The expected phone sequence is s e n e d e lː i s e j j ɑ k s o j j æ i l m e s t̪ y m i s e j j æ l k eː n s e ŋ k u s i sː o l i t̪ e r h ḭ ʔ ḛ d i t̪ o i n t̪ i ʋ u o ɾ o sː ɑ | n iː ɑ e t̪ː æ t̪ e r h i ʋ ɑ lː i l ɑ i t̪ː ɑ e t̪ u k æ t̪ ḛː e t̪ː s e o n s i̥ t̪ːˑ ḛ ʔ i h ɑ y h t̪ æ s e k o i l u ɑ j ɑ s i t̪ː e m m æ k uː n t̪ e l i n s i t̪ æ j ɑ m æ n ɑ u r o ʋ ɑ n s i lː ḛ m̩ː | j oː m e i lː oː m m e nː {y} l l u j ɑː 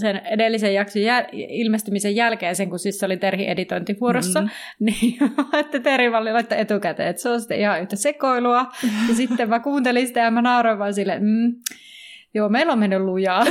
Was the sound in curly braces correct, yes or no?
yes